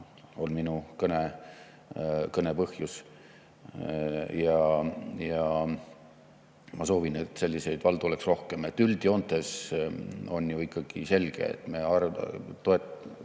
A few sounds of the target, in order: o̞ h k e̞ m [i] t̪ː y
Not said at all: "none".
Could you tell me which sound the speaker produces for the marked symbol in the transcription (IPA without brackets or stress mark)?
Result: e